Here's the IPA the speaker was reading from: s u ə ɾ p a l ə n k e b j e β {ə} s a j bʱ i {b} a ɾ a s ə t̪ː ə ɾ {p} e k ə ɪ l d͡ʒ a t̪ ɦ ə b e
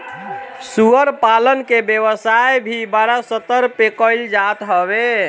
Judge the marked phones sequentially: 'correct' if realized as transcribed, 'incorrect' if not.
correct, correct, correct

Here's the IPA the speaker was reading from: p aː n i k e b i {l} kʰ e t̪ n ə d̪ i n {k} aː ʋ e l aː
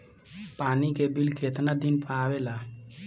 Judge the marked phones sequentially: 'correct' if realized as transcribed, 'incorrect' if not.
correct, incorrect: p

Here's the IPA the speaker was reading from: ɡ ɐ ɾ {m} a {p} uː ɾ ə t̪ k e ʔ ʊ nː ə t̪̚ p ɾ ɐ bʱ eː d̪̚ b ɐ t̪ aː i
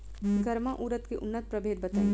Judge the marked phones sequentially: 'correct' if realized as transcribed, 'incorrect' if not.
correct, incorrect: ʔ

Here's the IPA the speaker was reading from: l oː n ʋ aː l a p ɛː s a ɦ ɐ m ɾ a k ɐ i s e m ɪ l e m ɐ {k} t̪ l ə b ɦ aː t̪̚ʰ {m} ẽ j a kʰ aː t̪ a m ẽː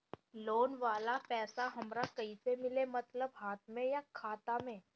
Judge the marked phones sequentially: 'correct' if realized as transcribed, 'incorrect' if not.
incorrect: none, correct

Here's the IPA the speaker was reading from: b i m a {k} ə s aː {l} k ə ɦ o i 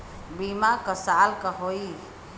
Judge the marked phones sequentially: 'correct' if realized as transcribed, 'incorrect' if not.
correct, correct

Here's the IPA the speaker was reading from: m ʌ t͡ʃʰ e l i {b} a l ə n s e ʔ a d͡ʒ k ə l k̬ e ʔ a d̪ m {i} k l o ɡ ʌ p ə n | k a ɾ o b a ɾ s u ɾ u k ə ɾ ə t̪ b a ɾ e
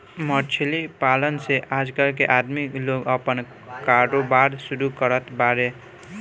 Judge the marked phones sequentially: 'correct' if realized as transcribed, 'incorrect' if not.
incorrect: p, correct

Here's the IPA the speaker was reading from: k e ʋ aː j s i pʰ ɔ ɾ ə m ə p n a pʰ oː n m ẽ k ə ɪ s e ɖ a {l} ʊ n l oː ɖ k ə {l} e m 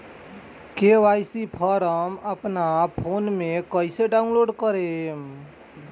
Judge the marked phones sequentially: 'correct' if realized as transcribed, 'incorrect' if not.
incorrect: none, incorrect: ɾ

